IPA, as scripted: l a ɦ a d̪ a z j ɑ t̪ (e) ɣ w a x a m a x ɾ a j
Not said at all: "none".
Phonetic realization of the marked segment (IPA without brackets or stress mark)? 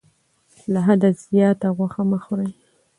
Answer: a